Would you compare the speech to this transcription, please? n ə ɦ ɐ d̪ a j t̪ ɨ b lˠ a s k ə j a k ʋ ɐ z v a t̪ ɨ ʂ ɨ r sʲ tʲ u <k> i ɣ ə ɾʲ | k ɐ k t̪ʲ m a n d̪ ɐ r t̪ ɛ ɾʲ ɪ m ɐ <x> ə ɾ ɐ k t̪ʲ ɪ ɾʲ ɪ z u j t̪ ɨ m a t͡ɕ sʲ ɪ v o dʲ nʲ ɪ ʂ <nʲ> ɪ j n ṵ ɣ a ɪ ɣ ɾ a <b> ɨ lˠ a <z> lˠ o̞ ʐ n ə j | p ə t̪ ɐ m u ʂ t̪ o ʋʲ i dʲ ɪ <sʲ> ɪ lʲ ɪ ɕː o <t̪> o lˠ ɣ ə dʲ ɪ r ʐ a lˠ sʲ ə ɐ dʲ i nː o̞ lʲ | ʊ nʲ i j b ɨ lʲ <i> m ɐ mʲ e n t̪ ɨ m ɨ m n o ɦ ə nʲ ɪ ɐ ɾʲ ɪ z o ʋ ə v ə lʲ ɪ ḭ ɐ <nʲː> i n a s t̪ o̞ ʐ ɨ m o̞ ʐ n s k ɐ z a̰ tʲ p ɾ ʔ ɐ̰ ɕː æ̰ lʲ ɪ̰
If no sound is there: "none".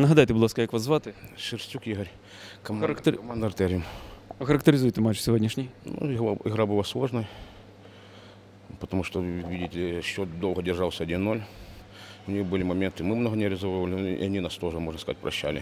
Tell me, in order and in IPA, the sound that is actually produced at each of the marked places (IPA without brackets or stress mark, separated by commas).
k, x, nʲ, b, s, tʲ, d̪, ɪ, nʲ